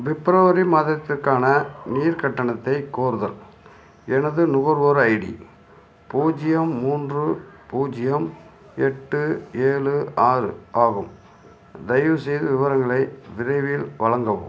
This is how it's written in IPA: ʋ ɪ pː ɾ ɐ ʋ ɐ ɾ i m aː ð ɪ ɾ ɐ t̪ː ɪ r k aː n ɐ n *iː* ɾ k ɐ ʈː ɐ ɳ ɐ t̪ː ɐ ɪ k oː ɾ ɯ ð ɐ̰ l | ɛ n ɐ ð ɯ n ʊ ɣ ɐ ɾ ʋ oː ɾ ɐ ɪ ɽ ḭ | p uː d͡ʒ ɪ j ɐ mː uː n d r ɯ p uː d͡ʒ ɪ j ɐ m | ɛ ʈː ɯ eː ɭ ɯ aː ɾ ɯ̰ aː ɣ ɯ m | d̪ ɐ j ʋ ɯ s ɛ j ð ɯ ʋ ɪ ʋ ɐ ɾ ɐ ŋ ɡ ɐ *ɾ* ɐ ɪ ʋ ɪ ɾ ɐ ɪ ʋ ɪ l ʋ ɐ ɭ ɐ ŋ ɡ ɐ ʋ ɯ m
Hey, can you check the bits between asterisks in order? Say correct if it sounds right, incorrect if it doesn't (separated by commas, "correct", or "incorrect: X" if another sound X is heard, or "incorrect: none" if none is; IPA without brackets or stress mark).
correct, incorrect: ɭ